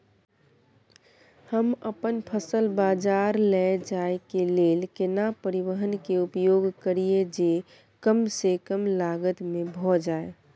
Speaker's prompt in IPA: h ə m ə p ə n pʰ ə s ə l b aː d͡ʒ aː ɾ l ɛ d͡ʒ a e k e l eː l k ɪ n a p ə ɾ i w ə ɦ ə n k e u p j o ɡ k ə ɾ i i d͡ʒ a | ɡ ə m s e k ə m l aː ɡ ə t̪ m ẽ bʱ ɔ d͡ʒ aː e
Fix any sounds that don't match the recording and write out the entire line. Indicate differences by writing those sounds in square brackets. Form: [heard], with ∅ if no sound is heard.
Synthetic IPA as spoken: h ə m ə p ə n pʰ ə s ə l b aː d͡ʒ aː ɾ l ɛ d͡ʒ a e k e l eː l k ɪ n a p ə ɾ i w ə ɦ ə n k e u p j o ɡ k ə ɾ i [e] d͡ʒ [e] | [k] ə m s e k ə m l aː ɡ ə t̪ m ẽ bʱ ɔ d͡ʒ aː e